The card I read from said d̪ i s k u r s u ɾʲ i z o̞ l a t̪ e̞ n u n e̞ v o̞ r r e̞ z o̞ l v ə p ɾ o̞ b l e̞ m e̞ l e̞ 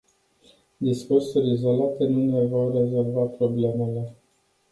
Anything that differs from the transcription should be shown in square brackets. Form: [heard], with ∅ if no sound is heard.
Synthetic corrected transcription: d̪ i s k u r s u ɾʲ i z o̞ l a t̪ e̞ n u n e̞ v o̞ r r e̞ z o̞ l v [a] p ɾ o̞ b l e̞ m e̞ l e̞